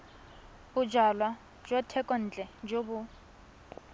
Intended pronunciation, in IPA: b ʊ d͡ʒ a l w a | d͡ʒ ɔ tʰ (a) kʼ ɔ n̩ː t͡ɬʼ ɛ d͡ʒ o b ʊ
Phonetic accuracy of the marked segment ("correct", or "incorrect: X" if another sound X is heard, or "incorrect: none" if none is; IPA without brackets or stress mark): incorrect: ɛ